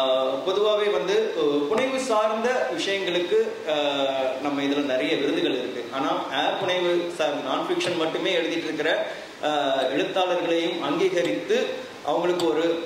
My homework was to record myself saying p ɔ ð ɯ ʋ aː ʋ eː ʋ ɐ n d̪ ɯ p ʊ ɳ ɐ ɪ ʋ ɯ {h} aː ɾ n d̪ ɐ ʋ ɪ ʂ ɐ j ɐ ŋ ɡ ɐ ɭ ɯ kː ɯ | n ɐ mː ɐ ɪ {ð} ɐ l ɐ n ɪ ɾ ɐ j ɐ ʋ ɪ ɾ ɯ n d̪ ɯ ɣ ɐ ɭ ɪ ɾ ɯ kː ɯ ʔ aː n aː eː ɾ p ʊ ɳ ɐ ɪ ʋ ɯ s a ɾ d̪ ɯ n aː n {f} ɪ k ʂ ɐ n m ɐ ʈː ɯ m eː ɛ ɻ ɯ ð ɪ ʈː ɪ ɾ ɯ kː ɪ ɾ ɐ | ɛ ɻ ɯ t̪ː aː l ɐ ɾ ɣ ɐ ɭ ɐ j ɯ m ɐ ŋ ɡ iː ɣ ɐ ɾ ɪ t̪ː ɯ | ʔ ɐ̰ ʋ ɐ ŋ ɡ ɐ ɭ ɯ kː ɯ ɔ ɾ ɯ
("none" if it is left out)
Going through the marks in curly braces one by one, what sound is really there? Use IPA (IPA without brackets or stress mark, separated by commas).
s, ð, f